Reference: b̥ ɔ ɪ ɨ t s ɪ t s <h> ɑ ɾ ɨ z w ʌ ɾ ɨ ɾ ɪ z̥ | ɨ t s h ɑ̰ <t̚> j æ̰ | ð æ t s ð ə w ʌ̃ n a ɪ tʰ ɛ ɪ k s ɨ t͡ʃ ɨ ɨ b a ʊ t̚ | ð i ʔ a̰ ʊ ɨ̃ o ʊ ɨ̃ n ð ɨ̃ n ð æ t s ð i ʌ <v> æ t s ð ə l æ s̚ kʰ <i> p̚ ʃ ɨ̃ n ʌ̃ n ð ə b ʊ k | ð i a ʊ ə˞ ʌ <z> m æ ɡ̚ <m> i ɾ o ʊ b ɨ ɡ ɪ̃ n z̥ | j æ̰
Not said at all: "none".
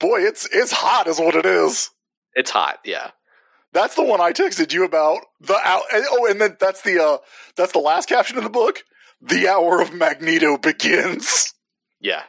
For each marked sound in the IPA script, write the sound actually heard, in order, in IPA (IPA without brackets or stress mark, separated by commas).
h, t̚, ð, æ, v, n